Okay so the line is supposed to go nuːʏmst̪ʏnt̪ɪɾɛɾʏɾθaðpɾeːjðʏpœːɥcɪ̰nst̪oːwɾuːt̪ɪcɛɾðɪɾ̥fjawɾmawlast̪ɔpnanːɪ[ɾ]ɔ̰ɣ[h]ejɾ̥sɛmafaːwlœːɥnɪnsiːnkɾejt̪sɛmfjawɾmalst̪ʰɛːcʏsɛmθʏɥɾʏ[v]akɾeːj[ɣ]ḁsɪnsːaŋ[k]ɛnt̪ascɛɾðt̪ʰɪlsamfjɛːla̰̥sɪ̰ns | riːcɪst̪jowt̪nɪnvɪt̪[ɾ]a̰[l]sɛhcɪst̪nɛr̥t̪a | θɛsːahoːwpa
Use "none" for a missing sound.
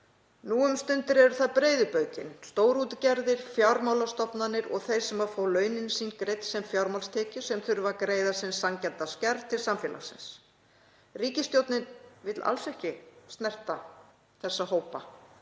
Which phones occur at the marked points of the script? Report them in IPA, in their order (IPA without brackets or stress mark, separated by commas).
ɾ, θ, v, ð, c, l, l